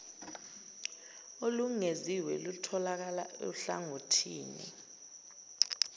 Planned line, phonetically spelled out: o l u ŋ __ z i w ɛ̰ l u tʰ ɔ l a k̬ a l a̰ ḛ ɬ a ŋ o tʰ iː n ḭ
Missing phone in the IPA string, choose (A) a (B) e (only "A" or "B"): B